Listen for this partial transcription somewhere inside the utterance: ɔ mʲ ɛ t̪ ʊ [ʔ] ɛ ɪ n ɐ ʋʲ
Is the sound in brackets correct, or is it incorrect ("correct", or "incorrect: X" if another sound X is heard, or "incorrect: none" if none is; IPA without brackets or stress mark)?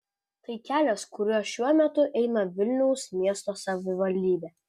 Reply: correct